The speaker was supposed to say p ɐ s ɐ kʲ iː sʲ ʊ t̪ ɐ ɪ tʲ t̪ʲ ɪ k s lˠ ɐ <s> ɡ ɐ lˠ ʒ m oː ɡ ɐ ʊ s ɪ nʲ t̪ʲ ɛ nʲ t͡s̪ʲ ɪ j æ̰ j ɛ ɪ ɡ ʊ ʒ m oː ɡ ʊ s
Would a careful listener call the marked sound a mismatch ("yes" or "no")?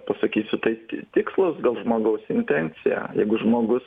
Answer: no